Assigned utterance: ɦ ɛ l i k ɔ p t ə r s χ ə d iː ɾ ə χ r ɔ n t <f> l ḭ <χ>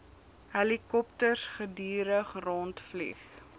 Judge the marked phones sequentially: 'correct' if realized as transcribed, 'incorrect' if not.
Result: correct, correct

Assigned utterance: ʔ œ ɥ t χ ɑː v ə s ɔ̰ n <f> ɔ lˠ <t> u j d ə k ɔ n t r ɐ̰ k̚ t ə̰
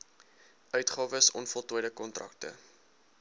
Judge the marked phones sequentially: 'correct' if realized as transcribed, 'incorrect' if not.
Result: correct, correct

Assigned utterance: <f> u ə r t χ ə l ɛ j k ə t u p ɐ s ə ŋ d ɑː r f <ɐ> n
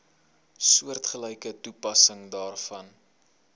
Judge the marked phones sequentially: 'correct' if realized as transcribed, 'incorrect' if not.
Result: incorrect: s, correct

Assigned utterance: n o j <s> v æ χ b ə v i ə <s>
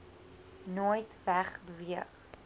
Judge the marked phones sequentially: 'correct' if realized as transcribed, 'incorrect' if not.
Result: incorrect: t, incorrect: χ

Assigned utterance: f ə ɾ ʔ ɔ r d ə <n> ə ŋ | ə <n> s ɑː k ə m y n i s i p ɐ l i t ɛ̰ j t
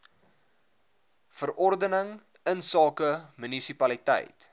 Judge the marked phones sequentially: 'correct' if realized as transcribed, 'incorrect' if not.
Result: correct, correct

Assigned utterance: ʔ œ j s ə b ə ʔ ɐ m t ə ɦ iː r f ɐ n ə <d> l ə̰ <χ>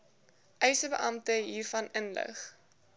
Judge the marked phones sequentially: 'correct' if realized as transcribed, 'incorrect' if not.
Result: incorrect: n, correct

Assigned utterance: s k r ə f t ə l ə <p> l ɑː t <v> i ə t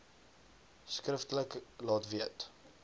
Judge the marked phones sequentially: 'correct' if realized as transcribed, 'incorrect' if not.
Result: incorrect: k, correct

